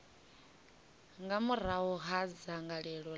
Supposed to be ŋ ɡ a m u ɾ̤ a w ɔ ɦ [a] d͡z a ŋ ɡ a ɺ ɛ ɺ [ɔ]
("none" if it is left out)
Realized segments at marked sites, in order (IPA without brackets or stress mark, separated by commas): a, ɔ